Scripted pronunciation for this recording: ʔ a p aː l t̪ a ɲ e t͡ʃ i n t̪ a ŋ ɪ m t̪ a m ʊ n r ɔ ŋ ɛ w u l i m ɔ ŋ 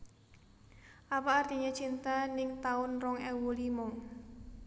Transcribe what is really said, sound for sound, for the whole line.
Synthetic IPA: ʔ a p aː r t̪ i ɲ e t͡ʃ i n t̪ a n ɪ ŋ t̪ a ʊ n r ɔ ŋ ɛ w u l i m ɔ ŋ